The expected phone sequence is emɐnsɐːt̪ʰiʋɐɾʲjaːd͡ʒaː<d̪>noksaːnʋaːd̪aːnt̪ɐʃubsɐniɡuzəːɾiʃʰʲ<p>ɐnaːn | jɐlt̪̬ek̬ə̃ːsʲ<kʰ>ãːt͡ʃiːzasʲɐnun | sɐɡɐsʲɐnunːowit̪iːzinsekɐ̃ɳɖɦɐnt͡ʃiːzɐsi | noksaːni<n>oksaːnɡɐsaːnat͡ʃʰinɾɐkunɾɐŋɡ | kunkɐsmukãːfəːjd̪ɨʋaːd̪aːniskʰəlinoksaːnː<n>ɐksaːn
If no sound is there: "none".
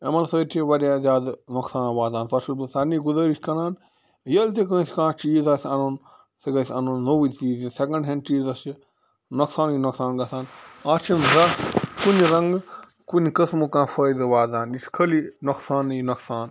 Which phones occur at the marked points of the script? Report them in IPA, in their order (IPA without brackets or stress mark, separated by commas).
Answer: d̪, k, k, n, n